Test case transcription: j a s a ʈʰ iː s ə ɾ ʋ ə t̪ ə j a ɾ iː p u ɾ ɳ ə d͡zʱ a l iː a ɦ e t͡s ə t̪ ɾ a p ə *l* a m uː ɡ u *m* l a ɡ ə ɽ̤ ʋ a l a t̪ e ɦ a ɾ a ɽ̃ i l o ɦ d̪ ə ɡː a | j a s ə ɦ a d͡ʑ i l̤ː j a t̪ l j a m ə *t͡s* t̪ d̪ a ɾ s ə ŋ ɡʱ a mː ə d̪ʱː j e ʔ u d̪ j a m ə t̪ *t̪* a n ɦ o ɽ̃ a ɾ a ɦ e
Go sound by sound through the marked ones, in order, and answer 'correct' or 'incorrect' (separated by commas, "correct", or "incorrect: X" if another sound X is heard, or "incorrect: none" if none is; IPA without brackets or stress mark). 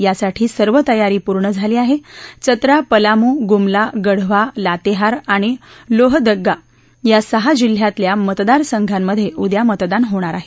correct, correct, incorrect: none, incorrect: d̪